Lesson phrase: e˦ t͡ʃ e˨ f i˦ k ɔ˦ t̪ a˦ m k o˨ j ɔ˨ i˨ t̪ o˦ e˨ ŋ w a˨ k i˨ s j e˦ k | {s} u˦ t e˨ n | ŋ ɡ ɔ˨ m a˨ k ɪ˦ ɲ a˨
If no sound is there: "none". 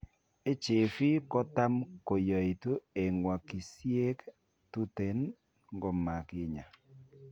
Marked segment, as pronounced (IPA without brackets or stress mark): t